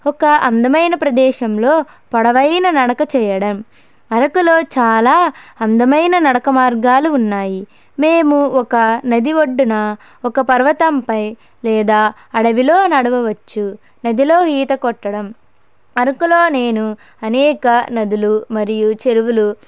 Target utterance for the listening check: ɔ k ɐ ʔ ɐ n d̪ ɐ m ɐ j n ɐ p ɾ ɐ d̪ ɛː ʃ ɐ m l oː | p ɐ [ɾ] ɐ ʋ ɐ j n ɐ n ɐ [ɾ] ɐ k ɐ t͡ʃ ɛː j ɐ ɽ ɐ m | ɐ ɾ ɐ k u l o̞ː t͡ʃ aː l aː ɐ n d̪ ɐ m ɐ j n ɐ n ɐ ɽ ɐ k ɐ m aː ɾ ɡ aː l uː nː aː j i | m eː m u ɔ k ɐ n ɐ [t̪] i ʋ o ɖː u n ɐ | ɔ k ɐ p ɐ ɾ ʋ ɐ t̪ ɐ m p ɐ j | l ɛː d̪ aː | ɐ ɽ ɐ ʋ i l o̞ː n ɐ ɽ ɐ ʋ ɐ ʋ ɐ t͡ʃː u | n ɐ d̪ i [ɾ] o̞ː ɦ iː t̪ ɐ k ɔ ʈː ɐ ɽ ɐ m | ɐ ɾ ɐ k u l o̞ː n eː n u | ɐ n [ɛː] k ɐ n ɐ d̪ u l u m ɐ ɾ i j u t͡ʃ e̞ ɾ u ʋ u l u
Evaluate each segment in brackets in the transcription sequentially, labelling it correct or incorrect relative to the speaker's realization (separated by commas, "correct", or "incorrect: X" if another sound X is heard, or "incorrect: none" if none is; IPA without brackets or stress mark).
incorrect: ɽ, incorrect: ɽ, incorrect: d̪, incorrect: l, correct